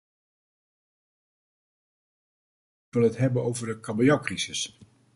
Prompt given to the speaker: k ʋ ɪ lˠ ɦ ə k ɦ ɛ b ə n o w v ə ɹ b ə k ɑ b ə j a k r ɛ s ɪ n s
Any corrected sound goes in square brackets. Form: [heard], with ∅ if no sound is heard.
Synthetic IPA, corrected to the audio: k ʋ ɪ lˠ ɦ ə [t] ɦ ɛ b ə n o w v ə ɹ [d] ə k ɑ b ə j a k r [i] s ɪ [∅] s